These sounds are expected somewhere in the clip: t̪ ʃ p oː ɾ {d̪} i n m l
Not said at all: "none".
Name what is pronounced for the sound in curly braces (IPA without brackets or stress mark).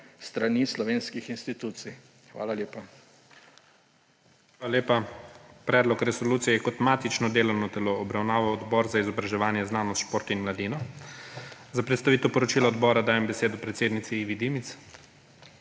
t̪